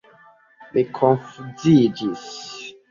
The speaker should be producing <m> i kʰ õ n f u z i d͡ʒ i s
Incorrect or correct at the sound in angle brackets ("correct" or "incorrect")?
correct